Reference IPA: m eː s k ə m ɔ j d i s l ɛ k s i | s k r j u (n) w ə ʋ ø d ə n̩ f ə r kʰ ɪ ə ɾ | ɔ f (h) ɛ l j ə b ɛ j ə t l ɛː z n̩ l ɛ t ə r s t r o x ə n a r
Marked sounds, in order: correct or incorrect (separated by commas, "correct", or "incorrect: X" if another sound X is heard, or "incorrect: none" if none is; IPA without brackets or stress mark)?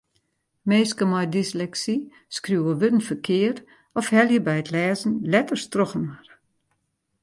incorrect: none, correct